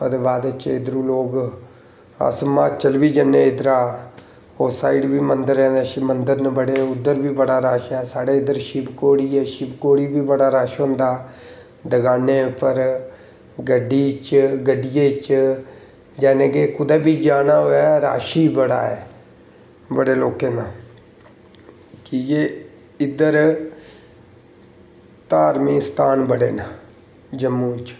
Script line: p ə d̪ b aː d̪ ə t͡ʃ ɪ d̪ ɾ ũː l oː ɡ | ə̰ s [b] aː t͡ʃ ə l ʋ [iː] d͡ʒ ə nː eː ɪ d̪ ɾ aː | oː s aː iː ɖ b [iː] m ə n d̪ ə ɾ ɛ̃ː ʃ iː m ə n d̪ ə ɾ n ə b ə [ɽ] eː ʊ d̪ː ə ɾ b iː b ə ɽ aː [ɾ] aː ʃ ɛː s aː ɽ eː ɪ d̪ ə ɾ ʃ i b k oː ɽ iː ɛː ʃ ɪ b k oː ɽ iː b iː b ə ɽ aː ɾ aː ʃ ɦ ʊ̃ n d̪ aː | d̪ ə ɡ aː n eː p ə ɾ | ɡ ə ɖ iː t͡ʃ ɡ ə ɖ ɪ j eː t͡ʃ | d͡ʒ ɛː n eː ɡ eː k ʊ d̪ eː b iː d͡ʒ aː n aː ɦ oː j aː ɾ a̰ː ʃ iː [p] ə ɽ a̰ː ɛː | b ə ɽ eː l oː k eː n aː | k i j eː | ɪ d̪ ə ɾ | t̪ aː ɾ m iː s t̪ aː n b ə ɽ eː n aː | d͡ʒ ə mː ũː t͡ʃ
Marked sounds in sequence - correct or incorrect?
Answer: incorrect: m, correct, correct, correct, correct, incorrect: b

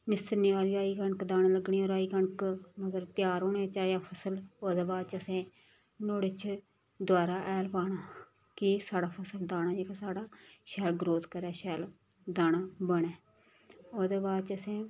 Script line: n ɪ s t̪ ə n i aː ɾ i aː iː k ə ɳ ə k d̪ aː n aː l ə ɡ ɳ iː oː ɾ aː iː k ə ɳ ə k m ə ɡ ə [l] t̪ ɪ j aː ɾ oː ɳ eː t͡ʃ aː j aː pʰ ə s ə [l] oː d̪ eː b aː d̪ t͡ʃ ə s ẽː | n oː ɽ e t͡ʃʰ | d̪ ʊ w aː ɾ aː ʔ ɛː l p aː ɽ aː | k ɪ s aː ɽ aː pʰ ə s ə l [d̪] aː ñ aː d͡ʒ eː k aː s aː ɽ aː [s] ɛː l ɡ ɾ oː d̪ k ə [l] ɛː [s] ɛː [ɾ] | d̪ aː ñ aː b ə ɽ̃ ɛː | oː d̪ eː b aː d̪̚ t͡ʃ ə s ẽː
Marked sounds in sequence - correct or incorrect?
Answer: incorrect: ɾ, correct, correct, incorrect: ʃ, incorrect: ɾ, incorrect: ʃ, incorrect: l

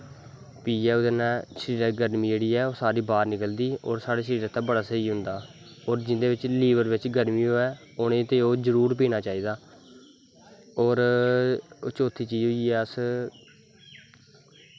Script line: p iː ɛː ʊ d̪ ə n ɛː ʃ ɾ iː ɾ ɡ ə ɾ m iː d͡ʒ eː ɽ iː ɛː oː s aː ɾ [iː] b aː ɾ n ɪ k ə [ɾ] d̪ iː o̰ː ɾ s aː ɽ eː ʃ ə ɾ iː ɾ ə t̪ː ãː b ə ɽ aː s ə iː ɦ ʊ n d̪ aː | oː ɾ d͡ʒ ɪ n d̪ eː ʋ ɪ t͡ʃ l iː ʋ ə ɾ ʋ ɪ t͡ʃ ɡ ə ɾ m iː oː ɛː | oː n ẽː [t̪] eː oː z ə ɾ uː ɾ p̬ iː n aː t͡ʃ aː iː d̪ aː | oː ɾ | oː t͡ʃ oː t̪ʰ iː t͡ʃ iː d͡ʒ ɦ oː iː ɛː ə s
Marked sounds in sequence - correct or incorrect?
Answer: correct, incorrect: l, correct

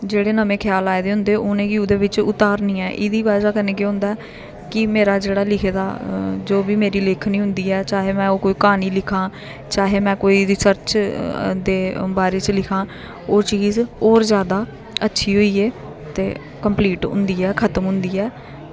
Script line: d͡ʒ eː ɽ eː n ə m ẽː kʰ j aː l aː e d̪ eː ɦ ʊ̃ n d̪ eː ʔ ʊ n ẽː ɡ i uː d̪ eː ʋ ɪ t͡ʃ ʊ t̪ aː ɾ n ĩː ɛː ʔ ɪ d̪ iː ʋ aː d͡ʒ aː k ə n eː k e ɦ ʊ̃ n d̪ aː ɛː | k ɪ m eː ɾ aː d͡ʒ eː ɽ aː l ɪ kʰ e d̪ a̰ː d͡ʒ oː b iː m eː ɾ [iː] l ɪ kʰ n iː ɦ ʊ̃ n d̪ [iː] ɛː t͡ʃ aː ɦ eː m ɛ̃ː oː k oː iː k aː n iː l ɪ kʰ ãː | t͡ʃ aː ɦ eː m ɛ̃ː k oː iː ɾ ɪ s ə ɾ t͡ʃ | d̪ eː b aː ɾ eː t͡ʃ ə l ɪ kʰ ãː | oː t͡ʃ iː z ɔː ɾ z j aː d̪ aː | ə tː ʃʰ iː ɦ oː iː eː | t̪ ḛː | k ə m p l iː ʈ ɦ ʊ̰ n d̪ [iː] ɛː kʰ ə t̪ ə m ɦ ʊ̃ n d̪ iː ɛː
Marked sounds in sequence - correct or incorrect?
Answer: correct, correct, correct

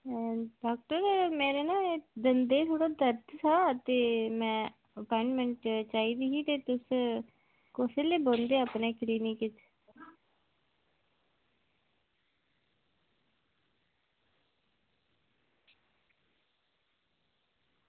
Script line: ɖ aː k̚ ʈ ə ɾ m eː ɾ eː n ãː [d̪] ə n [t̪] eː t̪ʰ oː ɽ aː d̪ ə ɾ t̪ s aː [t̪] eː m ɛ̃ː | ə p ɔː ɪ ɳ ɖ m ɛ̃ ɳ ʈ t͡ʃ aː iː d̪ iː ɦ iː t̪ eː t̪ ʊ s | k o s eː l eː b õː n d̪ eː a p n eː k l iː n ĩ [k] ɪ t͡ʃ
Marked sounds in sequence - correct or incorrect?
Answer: correct, incorrect: d̪, correct, correct

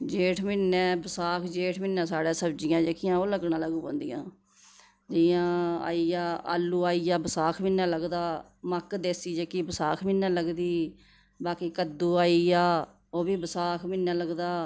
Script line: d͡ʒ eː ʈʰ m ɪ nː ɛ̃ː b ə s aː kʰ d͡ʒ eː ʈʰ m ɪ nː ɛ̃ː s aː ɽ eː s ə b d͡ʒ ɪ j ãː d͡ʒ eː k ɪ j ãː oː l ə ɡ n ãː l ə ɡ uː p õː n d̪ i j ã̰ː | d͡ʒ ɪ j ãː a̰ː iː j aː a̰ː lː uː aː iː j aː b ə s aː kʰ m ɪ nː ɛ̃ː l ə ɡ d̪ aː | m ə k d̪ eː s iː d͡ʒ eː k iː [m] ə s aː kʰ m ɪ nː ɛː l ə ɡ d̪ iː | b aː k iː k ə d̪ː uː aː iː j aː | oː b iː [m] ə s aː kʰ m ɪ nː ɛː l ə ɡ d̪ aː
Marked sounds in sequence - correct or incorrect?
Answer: incorrect: b, incorrect: b

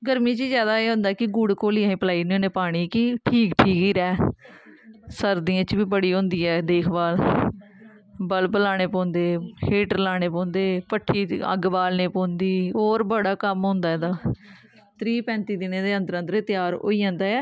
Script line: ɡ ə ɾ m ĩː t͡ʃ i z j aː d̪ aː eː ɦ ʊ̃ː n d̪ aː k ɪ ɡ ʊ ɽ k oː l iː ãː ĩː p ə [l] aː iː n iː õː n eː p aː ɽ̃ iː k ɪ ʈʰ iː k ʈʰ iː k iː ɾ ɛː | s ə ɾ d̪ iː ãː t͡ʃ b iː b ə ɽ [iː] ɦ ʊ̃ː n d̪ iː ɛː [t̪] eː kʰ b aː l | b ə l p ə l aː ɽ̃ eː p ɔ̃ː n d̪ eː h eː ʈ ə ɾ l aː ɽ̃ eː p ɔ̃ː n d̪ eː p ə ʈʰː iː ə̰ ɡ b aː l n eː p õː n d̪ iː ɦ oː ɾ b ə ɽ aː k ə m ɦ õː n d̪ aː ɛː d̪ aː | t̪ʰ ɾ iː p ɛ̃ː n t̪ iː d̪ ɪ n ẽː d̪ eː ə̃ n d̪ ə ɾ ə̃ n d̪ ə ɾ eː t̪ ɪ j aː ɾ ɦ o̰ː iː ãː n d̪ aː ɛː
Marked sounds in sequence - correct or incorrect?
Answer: correct, correct, incorrect: d̪

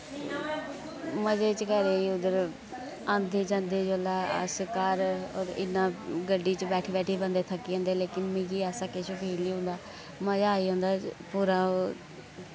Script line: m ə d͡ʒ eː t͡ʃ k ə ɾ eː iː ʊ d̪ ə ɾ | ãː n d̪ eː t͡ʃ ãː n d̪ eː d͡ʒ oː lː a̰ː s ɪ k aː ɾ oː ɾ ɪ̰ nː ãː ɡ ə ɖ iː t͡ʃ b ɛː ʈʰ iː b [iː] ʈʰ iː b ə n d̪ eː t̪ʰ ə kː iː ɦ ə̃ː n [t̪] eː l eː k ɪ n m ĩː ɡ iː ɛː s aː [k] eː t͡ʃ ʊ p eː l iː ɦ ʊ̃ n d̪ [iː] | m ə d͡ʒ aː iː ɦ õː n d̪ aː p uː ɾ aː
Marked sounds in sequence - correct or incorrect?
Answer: incorrect: ɛː, incorrect: d̪, correct, incorrect: aː

